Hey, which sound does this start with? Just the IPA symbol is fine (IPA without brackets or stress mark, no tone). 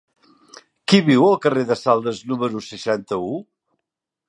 k